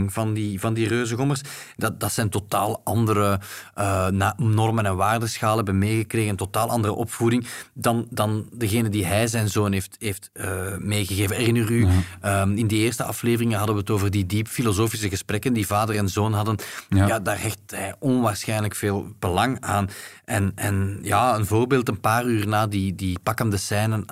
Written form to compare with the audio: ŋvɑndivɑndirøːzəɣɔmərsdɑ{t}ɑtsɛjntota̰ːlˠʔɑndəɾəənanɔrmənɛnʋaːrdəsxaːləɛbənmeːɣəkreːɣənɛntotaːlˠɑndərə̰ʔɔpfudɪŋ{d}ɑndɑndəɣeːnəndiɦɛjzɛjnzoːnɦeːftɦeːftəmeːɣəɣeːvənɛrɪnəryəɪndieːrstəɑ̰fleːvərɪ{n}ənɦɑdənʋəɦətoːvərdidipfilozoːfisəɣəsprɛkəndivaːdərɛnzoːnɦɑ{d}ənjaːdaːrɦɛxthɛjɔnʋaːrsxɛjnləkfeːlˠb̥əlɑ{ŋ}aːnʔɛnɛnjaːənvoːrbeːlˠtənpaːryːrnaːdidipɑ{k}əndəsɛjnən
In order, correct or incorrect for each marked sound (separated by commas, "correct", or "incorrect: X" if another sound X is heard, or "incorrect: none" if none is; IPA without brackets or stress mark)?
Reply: incorrect: d, correct, incorrect: ŋ, correct, correct, correct